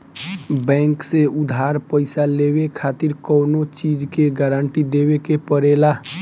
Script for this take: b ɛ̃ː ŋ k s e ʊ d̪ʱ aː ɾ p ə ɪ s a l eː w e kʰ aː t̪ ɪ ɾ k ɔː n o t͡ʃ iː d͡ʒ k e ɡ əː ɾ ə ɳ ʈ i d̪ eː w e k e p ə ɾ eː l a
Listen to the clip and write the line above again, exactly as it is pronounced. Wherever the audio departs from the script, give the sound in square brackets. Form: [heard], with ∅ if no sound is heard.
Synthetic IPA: b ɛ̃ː ŋ k s e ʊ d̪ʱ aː ɾ p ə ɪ s a l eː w e kʰ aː t̪ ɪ ɾ k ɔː n o t͡ʃ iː d͡ʒ k e ɡ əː ɾ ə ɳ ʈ i d̪ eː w e k e p ə ɾ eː l a